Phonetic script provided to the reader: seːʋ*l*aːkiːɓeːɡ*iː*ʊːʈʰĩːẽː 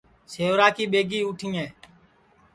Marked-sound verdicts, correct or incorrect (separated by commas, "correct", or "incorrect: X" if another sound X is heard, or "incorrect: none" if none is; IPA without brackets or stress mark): incorrect: ɾ, correct